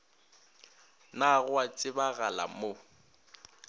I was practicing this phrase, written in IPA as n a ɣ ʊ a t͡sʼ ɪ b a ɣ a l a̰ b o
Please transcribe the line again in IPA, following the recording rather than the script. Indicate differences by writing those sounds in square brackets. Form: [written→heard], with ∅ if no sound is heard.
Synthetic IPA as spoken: n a ɣ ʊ a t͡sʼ ɪ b a ɣ a l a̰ [b→m] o